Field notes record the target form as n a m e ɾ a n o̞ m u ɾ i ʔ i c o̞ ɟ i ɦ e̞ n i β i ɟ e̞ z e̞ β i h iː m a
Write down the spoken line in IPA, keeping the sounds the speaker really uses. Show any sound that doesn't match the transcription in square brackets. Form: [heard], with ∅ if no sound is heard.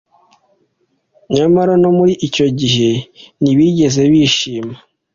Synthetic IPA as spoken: [ɲ] a m [a] ɾ a n o̞ m u ɾ i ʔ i c o̞ ɟ i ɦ e̞ n i β i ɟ e̞ z e̞ β i [ʃ] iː m a